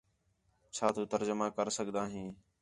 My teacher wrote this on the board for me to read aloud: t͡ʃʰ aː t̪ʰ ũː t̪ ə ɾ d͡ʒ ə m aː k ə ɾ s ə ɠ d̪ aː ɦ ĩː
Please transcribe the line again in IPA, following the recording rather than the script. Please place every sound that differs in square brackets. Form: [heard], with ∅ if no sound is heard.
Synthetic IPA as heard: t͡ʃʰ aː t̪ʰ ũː t̪ ə ɾ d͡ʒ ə m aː k ə ɾ s ə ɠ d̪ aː ɦ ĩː